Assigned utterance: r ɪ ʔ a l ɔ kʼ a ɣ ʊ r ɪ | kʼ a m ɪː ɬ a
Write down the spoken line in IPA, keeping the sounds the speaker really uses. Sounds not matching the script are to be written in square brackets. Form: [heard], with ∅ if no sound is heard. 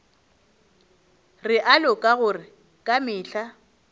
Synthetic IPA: r ɪ ʔ a l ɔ kʼ a ɣ ʊ r ɪ | kʼ a m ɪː ɬ a